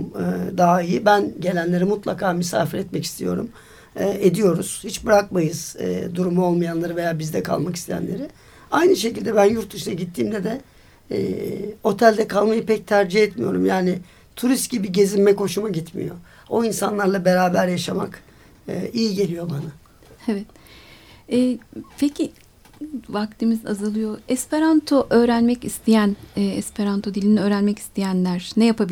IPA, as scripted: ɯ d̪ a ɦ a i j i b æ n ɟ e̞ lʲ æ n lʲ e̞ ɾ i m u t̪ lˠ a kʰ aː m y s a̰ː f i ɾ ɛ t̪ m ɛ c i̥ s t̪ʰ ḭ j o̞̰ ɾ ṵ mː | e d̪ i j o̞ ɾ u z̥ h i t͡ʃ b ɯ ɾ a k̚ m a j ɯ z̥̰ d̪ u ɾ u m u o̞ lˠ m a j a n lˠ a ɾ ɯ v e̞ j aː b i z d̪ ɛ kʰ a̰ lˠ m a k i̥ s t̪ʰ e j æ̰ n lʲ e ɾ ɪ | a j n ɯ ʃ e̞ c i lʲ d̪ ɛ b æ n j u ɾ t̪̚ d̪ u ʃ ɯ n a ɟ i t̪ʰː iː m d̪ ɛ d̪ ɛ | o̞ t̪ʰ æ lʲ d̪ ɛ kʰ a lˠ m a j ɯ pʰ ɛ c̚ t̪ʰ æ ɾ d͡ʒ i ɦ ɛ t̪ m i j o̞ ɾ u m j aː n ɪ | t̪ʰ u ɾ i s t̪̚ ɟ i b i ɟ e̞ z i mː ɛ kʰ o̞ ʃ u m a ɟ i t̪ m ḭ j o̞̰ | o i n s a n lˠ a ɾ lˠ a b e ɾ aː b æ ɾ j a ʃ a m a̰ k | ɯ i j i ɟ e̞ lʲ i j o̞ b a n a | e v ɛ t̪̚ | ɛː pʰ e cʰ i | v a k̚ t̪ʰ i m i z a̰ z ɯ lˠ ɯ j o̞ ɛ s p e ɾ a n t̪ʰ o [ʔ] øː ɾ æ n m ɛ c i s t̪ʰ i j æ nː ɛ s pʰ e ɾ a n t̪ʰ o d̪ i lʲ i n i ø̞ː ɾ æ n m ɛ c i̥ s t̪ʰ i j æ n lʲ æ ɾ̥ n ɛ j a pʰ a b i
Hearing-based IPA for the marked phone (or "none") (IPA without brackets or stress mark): ʔ